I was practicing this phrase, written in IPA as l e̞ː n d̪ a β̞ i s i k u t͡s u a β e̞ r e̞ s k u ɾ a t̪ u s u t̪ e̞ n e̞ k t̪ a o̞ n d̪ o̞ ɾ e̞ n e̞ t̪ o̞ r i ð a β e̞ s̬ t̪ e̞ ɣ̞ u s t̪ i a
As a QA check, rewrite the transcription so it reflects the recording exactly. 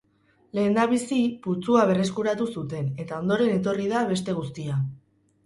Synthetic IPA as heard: l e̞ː n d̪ a β̞ i s i p u t͡s u a β e̞ r e̞ s k u ɾ a t̪ u s u t̪ e̞ n e̞ t̪ a o̞ n d̪ o̞ ɾ e̞ n e̞ t̪ o̞ r i ð a β e̞ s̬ t̪ e̞ ɣ̞ u s t̪ i a